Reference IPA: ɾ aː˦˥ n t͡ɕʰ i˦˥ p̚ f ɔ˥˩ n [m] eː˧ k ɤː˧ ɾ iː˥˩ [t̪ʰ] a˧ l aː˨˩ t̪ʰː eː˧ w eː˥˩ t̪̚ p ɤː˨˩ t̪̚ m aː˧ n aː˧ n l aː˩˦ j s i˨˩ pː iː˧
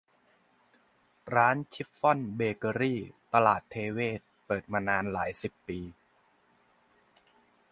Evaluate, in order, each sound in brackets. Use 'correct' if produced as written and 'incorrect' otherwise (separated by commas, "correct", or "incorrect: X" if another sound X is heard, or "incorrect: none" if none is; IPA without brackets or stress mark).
incorrect: b, incorrect: t̪